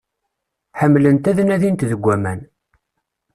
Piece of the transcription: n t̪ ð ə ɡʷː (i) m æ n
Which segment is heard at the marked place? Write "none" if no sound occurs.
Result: æ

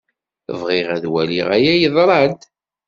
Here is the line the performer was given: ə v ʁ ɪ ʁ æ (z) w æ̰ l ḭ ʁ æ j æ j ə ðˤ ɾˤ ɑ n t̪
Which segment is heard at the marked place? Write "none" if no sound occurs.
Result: ð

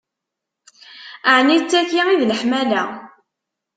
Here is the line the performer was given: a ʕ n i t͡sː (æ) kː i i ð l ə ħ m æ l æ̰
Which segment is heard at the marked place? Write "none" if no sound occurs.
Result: æ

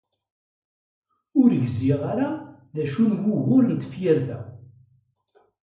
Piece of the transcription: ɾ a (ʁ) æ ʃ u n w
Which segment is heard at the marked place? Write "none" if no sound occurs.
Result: ð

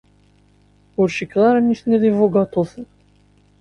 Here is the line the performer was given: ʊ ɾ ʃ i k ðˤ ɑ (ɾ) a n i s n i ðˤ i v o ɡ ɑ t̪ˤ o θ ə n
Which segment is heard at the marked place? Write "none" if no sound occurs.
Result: ɾ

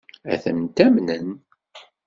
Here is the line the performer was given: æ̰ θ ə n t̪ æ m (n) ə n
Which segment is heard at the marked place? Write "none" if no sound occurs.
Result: n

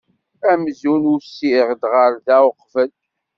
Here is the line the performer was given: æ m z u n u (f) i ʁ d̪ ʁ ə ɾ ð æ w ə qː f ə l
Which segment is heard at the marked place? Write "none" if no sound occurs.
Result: s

